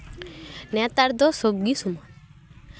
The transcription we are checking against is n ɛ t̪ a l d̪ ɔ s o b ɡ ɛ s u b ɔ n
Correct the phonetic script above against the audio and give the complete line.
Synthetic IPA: n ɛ t̪ a ɾ d̪ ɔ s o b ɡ i s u m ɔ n